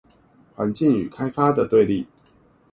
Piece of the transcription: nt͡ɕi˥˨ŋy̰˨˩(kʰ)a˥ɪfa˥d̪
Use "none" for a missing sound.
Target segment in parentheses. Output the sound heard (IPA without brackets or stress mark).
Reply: kʰ